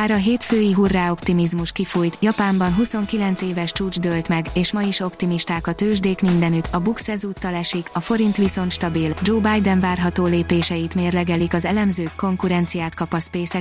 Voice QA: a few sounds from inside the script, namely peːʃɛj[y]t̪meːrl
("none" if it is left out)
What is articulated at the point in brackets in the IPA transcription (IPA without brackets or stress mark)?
i